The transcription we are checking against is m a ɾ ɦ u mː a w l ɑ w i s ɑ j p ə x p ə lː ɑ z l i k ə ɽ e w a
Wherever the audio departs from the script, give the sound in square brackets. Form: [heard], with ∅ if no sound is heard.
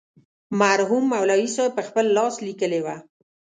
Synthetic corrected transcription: m a ɾ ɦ u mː a w l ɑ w i s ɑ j p ə x p ə lː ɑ [s] l i k ə [l] e w a